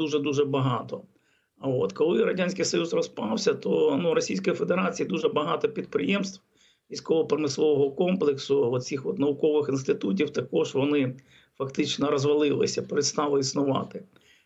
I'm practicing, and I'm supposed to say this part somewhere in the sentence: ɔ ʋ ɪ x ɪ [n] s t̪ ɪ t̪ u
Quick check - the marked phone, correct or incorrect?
correct